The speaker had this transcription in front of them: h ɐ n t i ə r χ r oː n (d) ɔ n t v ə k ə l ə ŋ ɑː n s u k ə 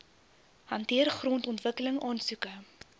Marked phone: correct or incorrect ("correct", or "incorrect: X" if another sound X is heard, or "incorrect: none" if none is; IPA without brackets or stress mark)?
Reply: incorrect: t